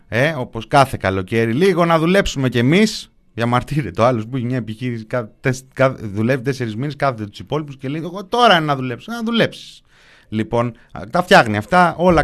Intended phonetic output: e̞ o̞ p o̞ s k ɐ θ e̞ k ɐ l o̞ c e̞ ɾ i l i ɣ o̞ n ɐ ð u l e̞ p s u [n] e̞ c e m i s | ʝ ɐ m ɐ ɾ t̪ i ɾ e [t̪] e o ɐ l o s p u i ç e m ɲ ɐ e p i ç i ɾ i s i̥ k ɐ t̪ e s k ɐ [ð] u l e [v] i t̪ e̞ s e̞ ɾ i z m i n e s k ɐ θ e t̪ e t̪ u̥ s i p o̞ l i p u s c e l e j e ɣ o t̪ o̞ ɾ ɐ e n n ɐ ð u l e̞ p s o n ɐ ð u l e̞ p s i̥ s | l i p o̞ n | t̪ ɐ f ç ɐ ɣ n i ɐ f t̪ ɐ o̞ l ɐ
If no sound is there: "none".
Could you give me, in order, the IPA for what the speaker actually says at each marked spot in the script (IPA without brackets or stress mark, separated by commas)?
m, t̪, ð, v